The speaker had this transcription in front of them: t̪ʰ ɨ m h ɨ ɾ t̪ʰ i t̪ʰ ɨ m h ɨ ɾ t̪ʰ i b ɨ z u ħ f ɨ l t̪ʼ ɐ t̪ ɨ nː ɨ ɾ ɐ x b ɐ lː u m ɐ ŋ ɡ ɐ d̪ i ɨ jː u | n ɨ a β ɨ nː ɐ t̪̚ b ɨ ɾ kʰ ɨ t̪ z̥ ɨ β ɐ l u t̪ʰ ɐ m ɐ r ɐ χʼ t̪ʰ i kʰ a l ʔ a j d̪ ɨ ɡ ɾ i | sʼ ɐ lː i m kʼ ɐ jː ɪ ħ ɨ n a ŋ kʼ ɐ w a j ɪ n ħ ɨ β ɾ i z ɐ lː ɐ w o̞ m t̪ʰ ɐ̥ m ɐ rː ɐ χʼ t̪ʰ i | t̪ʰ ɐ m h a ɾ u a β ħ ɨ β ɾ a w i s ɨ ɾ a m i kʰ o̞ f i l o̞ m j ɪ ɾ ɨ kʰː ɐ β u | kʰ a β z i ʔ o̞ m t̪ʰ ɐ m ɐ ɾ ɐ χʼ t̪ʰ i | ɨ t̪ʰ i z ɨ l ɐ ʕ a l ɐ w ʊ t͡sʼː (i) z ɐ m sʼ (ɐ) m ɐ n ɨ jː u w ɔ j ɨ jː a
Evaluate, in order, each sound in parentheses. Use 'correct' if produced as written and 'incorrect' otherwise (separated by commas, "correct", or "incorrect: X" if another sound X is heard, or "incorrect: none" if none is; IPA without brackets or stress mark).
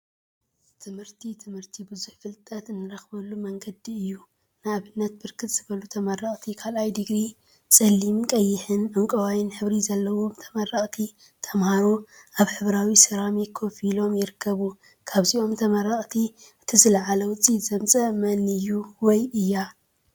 correct, correct